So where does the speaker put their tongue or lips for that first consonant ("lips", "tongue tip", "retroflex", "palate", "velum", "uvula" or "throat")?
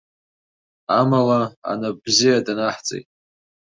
lips